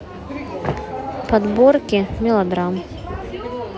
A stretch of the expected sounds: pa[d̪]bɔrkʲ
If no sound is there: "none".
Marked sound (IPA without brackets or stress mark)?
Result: d̪